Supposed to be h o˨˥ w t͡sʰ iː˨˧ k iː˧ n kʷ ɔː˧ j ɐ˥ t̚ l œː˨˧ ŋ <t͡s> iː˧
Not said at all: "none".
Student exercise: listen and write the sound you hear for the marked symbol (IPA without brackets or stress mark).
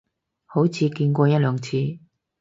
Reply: t͡sʰ